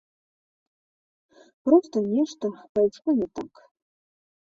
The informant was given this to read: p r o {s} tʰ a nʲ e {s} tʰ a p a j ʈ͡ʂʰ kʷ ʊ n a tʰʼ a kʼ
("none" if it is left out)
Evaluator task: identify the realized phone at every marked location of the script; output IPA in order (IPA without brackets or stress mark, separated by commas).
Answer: s, ʂ